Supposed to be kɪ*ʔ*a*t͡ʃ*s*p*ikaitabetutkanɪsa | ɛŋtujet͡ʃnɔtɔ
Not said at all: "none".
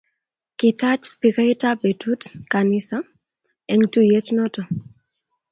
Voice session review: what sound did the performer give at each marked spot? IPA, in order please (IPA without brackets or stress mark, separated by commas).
t, t͡ʃ, p